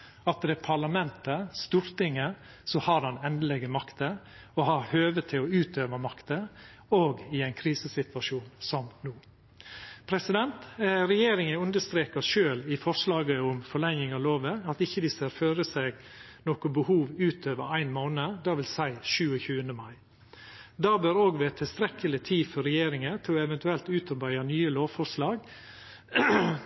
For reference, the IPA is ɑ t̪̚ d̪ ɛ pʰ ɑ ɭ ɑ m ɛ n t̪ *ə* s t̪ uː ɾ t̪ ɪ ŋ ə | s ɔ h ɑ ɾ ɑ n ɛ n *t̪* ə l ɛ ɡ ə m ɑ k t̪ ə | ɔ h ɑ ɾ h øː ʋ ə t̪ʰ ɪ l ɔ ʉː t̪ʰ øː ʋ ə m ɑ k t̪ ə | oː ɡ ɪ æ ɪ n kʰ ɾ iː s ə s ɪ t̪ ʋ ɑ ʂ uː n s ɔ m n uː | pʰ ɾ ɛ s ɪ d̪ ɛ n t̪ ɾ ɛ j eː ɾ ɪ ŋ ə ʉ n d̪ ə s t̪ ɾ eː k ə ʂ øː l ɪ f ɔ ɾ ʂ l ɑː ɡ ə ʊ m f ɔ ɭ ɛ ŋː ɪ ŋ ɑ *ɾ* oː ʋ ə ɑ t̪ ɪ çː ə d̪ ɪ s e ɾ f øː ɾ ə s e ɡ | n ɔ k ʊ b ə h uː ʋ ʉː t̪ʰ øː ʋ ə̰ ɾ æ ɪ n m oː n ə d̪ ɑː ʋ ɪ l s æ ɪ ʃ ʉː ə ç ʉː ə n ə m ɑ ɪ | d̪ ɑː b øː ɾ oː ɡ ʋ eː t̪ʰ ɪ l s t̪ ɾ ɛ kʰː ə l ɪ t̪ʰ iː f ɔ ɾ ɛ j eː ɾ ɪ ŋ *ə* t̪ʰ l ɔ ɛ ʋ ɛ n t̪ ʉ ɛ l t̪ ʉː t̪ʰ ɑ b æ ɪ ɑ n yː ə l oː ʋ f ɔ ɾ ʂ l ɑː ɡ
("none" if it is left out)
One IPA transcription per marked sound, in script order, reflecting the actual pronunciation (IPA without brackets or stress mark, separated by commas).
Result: ə, d̪, l, ə